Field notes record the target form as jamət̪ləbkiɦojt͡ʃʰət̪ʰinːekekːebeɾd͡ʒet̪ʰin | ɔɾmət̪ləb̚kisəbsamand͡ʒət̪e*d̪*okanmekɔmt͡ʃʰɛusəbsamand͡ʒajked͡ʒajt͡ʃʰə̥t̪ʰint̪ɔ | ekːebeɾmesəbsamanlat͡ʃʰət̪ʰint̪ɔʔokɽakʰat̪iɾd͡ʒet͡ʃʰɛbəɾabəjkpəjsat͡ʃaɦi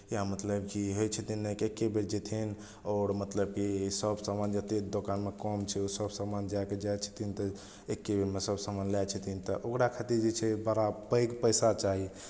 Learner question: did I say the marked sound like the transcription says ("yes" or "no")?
yes